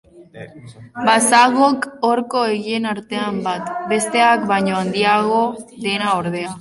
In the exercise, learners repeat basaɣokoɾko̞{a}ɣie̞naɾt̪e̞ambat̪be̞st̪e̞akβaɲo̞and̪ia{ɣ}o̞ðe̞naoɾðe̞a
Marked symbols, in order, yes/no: no, yes

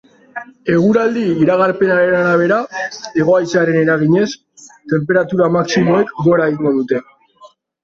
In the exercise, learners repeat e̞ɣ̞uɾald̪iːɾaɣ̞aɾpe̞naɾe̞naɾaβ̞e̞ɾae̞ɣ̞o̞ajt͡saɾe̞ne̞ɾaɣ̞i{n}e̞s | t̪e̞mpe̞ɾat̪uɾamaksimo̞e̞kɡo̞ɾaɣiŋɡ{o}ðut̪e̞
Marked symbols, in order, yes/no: no, yes

